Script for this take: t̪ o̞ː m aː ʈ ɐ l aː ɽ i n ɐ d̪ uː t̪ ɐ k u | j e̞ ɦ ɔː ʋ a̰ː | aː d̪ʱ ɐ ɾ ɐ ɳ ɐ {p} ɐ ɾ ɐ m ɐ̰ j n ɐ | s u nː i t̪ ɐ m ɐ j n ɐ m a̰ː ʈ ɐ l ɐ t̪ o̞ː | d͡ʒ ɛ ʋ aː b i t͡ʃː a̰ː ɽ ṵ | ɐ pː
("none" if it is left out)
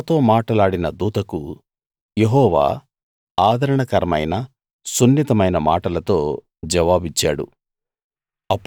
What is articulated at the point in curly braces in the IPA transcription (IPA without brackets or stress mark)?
k